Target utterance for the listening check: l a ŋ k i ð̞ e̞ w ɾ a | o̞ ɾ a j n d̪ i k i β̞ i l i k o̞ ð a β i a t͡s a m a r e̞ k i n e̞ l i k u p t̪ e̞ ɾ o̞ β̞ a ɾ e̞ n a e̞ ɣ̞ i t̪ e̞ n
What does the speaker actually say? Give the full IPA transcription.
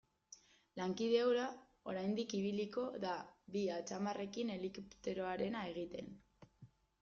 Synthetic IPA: l a ŋ k i ð̞ e̞ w ɾ a | o̞ ɾ a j n d̪ i k i β̞ i l i k o̞ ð a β i a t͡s a m a r e̞ k i n e̞ l i k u p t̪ e̞ ɾ o̞ a ɾ e̞ n a e̞ ɣ̞ i t̪ e̞ n